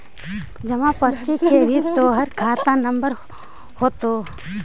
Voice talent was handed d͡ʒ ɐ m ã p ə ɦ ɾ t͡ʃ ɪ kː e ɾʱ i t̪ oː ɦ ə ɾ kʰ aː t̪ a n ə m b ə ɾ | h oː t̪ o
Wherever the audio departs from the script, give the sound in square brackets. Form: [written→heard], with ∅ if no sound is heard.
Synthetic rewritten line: d͡ʒ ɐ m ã p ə [ɦ→∅] ɾ t͡ʃ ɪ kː e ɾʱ i t̪ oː ɦ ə ɾ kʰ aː t̪ a n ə m b ə ɾ | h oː t̪ o